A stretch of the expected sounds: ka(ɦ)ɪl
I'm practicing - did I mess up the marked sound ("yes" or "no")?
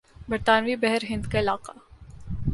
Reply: yes